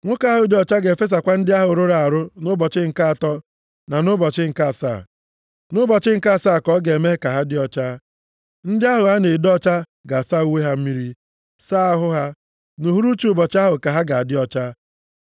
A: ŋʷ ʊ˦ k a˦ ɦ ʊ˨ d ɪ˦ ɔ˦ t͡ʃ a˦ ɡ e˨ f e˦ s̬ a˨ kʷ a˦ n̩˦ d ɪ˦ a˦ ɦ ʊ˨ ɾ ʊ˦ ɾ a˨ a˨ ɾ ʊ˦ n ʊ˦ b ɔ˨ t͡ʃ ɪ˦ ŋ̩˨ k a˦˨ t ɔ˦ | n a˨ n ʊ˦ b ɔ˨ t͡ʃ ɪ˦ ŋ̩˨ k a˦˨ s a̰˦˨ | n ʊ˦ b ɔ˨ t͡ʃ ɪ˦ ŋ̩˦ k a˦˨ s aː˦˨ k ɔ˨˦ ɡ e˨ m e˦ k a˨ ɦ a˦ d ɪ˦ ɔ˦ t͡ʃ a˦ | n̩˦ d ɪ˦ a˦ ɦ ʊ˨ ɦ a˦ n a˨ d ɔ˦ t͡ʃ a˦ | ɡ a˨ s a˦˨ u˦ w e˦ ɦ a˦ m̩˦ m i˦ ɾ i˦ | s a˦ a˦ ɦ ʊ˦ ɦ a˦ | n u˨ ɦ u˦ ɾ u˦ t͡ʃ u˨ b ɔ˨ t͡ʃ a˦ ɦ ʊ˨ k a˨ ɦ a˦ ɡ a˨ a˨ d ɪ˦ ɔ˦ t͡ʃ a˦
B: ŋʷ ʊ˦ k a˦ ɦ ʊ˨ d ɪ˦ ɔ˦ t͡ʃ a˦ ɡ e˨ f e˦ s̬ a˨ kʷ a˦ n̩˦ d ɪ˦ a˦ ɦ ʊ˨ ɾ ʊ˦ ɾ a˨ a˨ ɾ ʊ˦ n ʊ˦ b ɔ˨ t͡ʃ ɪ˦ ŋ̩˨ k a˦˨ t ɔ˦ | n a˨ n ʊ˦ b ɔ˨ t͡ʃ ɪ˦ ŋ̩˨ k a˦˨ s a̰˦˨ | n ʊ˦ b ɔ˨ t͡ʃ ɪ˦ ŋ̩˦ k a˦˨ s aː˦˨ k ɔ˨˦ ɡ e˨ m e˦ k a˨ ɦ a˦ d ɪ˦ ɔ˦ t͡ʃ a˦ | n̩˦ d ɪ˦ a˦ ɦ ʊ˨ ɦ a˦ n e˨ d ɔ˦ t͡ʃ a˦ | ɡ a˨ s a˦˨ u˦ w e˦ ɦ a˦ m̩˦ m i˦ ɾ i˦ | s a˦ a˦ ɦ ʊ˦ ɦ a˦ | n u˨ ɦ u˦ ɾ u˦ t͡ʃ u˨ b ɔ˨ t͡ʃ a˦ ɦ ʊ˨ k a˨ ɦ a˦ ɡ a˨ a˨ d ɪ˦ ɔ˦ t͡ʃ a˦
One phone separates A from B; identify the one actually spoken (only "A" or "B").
B